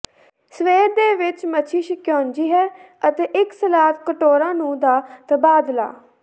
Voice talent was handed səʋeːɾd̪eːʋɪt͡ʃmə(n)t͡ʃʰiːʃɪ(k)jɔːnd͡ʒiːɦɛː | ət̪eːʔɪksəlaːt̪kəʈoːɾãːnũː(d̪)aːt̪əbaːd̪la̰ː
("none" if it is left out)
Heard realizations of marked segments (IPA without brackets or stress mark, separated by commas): none, k, d̪